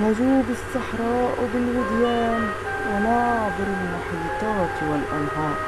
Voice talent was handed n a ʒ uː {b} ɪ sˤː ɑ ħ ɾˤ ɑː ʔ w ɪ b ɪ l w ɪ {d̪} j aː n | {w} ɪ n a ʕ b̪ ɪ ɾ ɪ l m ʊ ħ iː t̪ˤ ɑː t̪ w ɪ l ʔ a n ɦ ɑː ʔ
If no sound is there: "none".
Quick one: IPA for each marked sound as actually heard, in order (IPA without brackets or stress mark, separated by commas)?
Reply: b, d̪, w